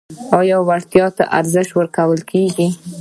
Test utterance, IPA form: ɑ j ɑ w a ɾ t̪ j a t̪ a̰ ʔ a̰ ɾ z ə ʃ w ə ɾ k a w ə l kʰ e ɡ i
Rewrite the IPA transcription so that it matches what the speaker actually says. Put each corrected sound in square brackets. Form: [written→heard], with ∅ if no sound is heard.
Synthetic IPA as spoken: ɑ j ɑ w a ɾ t̪ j [a→ɑ] t̪ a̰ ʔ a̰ ɾ z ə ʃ w ə ɾ k a w ə l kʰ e ɡ i